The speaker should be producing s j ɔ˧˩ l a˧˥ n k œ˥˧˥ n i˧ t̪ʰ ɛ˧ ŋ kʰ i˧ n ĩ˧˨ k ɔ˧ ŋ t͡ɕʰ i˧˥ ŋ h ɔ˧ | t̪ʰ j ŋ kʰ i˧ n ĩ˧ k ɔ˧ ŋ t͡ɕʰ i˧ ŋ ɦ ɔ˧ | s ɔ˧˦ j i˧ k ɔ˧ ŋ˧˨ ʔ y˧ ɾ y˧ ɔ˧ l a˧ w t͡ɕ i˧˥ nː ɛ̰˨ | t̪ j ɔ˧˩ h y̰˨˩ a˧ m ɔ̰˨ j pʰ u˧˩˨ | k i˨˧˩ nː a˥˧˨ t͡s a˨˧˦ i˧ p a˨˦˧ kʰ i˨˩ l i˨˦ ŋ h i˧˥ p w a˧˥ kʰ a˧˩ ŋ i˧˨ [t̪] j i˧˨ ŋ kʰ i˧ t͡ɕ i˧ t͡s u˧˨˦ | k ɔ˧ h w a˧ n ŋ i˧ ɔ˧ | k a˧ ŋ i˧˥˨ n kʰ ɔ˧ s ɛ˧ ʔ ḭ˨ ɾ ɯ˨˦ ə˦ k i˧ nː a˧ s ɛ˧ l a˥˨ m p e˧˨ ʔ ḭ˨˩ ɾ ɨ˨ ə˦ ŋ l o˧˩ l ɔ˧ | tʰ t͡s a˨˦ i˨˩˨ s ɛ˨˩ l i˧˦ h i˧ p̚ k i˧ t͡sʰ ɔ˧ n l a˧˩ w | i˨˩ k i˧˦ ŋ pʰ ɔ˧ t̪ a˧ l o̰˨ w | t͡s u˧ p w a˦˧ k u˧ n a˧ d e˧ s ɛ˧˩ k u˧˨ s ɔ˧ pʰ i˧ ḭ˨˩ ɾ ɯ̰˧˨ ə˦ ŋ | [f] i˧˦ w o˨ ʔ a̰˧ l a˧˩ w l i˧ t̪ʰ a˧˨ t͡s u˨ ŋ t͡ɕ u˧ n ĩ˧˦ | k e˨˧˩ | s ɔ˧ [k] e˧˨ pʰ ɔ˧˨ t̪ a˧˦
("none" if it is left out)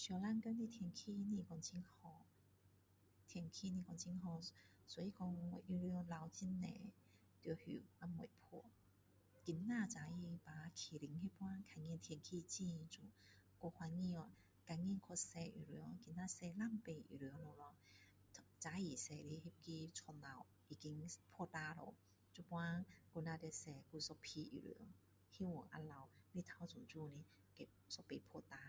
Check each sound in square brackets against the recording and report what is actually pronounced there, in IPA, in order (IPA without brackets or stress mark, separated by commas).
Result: t̪ʰ, h, p